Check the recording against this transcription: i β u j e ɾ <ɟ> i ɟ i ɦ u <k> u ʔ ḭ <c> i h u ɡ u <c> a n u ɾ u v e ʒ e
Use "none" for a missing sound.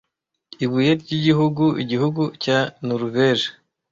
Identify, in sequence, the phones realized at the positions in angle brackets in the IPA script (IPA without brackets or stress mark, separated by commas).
ɟ, ɡ, ɟ, c